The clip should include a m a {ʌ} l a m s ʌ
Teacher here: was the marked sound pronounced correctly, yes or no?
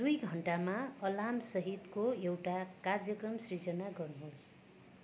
yes